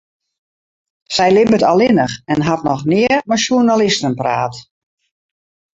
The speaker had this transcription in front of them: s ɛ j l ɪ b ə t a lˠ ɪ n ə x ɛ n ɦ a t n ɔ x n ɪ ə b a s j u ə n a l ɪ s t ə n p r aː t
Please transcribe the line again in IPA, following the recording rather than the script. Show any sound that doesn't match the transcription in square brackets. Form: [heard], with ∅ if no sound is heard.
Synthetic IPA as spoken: s ɛ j l ɪ b ə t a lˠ ɪ n ə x ɛ n ɦ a t n ɔ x n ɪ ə [m] a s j u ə n a l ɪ s t ə n p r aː t